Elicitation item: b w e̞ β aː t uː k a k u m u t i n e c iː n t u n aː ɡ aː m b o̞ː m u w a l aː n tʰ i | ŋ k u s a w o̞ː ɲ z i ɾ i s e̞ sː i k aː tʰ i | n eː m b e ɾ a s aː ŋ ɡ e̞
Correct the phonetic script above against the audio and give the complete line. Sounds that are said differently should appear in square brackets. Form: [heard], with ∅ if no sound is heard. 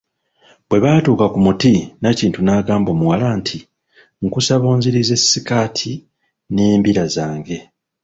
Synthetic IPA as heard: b w e̞ β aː t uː k a k u m u t i n [a] c iː n t u n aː ɡ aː m b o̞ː m u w a l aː n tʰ i | ŋ k u s a [β] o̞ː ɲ z i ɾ i [z] e̞ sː i k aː tʰ i | n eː m b [i] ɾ a [z] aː ŋ ɡ e̞